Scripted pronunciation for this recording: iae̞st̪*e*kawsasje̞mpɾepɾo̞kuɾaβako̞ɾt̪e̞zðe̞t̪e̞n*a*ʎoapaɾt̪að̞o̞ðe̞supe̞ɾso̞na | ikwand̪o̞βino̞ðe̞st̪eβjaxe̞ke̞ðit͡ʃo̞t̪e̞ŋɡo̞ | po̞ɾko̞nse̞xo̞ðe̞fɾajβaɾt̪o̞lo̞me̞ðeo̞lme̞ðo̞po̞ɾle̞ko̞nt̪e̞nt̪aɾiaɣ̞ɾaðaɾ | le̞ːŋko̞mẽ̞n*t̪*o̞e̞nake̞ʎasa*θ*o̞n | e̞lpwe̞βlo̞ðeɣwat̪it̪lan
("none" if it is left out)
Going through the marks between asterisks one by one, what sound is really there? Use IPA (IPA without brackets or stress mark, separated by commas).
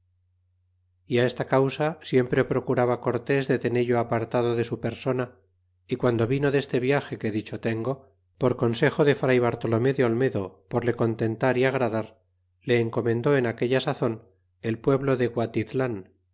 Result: a, e, d̪, θ